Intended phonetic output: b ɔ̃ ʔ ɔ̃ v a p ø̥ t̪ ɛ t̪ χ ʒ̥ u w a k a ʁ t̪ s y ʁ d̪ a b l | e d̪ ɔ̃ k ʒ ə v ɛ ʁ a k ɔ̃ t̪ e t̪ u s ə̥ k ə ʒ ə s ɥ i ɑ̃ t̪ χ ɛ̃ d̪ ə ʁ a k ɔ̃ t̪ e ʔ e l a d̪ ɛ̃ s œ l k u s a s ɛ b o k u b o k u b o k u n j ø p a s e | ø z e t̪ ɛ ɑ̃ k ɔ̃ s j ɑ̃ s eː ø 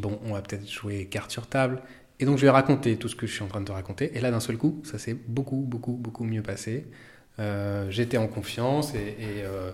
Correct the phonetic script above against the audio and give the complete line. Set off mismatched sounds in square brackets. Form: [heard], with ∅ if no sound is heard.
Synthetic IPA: b ɔ̃ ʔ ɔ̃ v a p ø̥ t̪ ɛ t̪ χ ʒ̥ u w [e] k a ʁ t̪ s y ʁ [t̪] a b l | e d̪ ɔ̃ k ʒ ə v ɛ ʁ a k ɔ̃ t̪ e t̪ u s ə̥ k ə ʒ ə s ɥ i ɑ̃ t̪ χ ɛ̃ d̪ ə ʁ a k ɔ̃ t̪ e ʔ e l a d̪ ɛ̃ s œ l k u s a s ɛ b o k u b o k u b o k u [m] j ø p a s e | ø [ʒ] e t̪ ɛ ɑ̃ k ɔ̃ [f] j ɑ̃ s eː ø